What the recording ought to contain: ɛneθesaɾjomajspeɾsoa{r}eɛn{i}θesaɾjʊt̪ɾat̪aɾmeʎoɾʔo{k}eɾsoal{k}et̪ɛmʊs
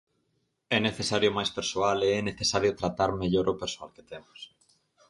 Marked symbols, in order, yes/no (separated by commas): no, no, no, yes